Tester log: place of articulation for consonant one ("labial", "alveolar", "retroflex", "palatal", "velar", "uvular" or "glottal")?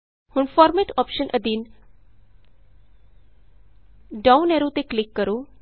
glottal